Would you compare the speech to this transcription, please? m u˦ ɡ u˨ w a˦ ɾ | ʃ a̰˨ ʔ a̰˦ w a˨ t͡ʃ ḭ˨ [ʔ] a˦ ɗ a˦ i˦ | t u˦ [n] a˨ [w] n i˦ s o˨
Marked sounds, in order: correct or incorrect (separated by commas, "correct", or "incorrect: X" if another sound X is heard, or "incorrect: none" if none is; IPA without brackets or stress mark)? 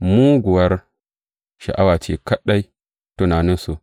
incorrect: k, correct, incorrect: none